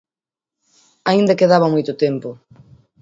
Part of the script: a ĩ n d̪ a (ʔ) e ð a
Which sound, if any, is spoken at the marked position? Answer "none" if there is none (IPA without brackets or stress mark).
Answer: k